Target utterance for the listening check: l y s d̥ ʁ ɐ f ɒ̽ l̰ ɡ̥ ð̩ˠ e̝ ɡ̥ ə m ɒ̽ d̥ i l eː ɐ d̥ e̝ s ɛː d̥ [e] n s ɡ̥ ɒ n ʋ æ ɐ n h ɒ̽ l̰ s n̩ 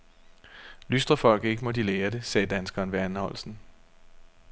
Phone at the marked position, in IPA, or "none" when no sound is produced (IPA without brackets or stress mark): æ